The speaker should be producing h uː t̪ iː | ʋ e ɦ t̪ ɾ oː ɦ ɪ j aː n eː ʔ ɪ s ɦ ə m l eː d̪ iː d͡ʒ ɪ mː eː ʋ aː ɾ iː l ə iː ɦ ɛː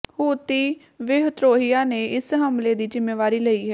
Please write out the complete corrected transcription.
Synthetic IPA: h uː t̪ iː | ʋ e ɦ t̪ ɾ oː ɦ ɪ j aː n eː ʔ ɪ s ɦ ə m l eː d̪ iː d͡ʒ ɪ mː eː ʋ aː ɾ iː l ə iː ɦ ɛː